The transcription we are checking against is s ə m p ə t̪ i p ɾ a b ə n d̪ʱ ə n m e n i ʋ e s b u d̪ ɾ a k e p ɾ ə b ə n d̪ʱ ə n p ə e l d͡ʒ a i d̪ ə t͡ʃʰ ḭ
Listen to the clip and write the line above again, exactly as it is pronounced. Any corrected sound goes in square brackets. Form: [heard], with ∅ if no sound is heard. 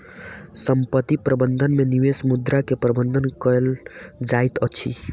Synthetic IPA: s ə m p ə t̪ i p ɾ [ə] b ə n d̪ʱ ə n m e n i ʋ e s [m] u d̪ ɾ a k e p ɾ ə b ə n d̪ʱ ə n [k] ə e l d͡ʒ a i [t̪] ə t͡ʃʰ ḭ